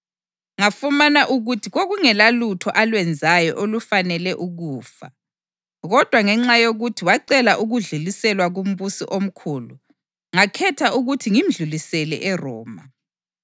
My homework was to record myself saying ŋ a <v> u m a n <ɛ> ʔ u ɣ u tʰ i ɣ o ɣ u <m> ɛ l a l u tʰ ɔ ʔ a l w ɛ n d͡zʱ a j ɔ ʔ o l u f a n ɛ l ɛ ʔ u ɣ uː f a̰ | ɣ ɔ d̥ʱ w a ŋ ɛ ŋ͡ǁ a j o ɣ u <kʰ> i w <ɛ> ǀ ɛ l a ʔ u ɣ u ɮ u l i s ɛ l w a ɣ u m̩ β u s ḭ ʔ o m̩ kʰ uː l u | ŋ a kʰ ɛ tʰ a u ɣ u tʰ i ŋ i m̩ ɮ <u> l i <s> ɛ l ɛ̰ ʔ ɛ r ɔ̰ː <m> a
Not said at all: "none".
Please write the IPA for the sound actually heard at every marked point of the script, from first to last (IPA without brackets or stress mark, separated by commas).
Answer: f, a, ŋ, tʰ, a, u, s, m